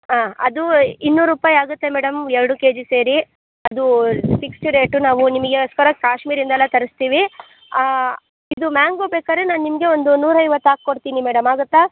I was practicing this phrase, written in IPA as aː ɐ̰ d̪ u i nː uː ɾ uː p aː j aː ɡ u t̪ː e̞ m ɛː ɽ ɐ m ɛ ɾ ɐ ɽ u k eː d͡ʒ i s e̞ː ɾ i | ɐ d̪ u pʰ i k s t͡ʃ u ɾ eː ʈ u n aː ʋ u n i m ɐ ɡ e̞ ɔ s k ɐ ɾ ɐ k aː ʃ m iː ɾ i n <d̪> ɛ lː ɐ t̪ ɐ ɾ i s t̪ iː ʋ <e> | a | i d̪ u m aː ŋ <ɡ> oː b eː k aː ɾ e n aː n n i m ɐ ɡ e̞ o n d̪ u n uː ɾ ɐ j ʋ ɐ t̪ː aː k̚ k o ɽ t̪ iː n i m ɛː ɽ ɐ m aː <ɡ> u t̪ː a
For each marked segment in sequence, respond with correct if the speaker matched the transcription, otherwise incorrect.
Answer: correct, incorrect: i, correct, correct

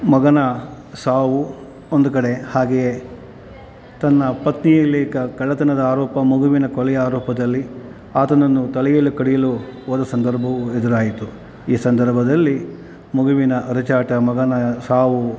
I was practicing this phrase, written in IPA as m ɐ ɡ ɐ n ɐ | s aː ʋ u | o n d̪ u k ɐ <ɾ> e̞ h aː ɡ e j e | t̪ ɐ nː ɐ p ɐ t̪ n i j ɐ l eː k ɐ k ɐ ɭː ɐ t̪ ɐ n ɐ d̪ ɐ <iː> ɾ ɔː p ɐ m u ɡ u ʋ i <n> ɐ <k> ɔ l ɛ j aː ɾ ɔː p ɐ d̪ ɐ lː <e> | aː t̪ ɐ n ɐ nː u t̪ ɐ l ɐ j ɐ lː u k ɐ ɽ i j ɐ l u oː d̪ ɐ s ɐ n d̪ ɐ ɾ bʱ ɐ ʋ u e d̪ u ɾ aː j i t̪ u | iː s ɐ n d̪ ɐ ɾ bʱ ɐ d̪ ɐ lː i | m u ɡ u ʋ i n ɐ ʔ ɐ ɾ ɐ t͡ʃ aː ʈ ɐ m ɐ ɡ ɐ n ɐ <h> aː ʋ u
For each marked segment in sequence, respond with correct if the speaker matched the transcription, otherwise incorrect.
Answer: incorrect: ɽ, incorrect: aː, correct, correct, incorrect: i, incorrect: s

